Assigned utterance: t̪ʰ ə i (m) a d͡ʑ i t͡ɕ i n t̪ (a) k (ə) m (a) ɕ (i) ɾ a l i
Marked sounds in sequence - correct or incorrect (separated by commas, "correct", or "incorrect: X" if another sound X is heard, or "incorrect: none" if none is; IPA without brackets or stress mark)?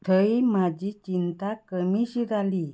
correct, correct, correct, incorrect: i, correct